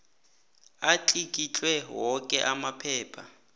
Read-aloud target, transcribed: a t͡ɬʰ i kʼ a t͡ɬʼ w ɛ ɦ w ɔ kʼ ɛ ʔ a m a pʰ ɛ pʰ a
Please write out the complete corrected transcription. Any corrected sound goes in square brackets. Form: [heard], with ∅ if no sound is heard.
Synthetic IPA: a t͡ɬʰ i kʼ [i] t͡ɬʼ w ɛ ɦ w ɔ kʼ ɛ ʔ a m a pʰ [ɛː] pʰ a